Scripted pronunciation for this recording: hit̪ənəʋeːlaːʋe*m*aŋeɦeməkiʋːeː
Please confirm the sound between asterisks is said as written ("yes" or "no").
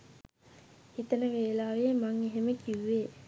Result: yes